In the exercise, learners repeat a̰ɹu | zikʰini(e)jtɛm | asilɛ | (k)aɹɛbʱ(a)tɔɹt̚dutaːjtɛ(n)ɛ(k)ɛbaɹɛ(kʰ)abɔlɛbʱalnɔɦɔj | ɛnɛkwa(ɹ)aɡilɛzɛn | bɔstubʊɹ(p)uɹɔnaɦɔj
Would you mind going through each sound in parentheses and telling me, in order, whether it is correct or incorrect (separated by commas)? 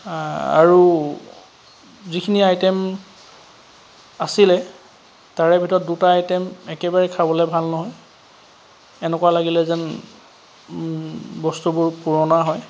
incorrect, incorrect, incorrect, incorrect, correct, correct, incorrect, correct